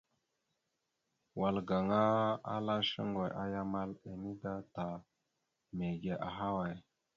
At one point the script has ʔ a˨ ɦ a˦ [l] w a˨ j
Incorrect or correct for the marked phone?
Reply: incorrect: none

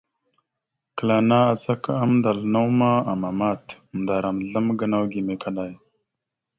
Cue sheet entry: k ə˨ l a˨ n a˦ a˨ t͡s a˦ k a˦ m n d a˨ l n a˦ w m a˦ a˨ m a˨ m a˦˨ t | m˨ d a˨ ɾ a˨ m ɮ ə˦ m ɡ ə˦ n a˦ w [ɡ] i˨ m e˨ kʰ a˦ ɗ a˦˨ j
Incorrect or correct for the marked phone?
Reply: correct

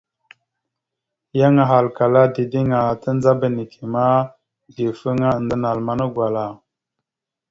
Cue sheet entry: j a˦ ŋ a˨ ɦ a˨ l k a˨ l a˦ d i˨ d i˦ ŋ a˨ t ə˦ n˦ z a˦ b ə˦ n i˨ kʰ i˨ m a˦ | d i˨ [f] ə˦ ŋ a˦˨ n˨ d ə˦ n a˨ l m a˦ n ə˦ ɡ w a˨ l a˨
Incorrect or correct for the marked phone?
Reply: correct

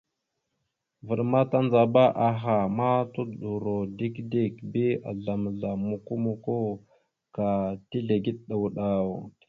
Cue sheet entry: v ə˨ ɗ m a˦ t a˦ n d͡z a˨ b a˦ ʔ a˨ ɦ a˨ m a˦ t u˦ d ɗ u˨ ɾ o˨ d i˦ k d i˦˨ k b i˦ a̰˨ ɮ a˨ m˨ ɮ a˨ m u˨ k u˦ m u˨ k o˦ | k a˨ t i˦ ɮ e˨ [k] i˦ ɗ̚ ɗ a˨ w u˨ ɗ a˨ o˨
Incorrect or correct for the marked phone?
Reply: incorrect: ɡ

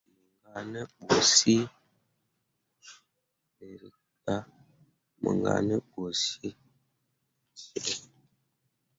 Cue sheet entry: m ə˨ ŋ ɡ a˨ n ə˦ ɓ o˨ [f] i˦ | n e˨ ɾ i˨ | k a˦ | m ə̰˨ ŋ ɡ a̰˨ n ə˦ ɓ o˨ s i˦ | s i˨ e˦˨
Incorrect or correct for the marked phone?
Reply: incorrect: s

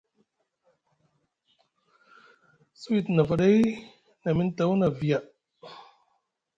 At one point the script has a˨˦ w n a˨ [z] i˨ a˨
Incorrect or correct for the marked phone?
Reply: incorrect: v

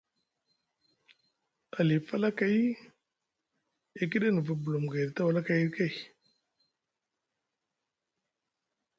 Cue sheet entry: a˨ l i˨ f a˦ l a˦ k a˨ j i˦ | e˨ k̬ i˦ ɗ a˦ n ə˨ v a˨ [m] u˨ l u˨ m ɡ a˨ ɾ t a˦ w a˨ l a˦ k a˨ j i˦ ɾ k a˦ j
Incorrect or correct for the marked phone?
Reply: incorrect: b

